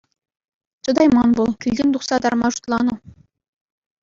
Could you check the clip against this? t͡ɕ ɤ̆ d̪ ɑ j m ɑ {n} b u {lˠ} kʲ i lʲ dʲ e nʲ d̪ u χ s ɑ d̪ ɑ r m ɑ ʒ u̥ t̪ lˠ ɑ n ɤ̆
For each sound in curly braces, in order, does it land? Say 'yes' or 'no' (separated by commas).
yes, yes